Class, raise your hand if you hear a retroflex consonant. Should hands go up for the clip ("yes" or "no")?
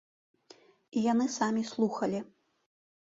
no